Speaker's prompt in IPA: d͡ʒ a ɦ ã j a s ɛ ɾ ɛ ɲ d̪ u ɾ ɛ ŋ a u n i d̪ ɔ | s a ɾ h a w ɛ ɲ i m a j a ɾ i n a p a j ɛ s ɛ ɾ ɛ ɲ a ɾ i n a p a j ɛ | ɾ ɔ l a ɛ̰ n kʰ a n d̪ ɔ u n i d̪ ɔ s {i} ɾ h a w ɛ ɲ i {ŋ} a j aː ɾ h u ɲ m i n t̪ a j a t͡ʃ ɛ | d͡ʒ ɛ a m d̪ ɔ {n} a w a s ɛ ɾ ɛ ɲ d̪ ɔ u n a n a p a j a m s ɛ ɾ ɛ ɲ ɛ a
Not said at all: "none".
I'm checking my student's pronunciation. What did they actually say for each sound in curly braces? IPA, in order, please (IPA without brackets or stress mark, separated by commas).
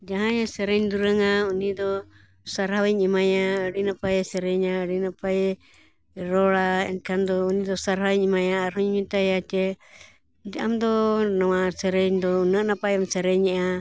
a, m, n